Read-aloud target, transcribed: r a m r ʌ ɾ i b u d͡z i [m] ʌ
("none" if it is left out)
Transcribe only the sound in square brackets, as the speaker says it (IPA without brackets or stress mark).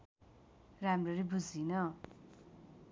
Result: n